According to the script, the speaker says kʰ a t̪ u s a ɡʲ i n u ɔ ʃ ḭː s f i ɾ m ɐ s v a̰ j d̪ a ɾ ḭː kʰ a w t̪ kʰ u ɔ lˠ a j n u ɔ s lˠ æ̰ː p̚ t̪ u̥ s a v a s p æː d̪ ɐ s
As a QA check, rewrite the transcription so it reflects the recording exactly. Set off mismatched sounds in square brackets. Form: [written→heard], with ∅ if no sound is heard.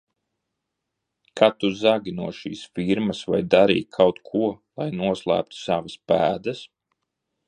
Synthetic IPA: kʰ a t̪ u [s→z] a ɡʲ i n u ɔ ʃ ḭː s f i ɾ m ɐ s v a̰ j d̪ a ɾ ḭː kʰ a w t̪ kʰ u ɔ lˠ a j n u ɔ s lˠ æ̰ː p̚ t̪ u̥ s a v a s p æː d̪ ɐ s